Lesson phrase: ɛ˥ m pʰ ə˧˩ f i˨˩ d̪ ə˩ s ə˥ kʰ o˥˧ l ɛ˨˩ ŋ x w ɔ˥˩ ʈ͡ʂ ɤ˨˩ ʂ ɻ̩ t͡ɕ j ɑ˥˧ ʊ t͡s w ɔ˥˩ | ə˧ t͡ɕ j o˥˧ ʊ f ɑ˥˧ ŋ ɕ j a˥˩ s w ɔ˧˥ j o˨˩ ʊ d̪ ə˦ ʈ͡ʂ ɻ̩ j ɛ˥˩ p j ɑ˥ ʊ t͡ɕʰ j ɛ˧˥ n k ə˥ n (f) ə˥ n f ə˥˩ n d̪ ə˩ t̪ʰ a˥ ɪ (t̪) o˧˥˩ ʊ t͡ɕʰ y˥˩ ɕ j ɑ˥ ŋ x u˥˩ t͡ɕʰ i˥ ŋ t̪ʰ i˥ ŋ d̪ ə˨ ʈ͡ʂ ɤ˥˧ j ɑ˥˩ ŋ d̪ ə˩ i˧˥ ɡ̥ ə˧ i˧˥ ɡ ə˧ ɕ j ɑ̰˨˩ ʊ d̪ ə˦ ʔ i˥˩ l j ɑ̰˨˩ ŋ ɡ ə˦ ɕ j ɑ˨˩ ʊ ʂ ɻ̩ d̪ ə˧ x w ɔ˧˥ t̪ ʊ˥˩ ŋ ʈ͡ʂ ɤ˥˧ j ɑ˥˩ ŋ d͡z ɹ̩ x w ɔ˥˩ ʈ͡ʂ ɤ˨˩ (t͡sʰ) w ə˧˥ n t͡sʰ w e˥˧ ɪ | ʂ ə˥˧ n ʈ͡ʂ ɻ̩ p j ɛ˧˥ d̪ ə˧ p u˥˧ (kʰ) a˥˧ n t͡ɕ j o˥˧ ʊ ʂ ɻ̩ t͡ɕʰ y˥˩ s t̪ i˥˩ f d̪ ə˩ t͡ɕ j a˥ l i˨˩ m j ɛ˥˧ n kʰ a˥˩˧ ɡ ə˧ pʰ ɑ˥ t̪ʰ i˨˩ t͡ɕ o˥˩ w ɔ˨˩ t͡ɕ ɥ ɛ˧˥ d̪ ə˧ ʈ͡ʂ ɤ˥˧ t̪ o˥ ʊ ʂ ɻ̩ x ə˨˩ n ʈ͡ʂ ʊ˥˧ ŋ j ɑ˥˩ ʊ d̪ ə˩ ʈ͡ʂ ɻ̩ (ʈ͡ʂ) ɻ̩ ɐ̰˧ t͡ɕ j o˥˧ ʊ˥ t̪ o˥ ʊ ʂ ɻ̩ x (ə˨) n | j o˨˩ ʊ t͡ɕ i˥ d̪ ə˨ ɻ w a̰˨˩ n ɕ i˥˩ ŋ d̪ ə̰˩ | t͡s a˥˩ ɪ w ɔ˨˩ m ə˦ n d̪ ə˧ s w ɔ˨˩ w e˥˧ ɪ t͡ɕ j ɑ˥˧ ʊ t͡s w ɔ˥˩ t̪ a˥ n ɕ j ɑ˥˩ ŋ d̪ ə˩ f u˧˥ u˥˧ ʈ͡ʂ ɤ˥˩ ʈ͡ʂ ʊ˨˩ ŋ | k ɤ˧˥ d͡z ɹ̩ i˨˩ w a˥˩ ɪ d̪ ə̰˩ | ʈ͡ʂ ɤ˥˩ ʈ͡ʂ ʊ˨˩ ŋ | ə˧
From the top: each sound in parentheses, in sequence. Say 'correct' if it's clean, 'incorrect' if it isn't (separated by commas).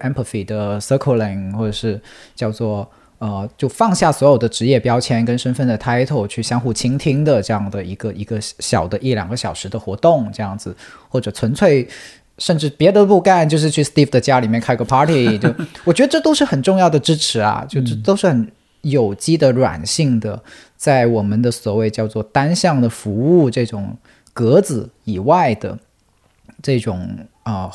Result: incorrect, incorrect, correct, incorrect, incorrect, incorrect